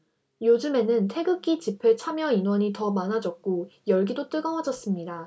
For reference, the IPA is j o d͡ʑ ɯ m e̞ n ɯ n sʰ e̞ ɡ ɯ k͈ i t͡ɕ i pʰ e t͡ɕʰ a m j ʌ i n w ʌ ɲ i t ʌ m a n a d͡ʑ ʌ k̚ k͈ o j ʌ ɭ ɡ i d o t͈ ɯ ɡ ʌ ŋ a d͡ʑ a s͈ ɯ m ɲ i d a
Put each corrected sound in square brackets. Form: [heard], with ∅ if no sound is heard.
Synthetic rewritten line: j o d͡ʑ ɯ m e̞ n ɯ n [tʰ] e̞ ɡ ɯ k͈ i t͡ɕ i pʰ e t͡ɕʰ a m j ʌ i n w ʌ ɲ i t ʌ m a n a d͡ʑ ʌ k̚ k͈ o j ʌ ɭ ɡ i d o t͈ ɯ ɡ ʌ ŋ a d͡ʑ [ʌ] s͈ ɯ m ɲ i d a